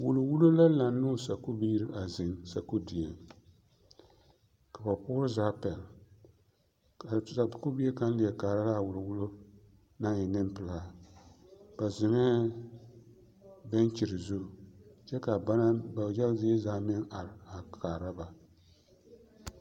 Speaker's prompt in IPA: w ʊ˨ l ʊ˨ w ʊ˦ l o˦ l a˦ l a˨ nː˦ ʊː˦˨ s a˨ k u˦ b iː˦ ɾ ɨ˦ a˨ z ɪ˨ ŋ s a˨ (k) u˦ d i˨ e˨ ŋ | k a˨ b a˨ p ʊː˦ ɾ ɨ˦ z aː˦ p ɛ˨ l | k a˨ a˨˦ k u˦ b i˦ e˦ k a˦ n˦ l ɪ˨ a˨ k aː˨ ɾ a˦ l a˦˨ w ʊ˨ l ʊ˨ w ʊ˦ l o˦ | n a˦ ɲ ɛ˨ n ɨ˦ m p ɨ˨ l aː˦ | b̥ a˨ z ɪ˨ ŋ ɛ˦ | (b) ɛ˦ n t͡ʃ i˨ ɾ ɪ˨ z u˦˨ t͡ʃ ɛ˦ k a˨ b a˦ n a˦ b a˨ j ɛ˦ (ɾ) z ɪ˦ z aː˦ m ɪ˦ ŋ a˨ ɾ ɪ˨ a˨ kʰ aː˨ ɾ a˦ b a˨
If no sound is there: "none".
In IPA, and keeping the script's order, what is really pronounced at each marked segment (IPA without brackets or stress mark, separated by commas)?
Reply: k, b, l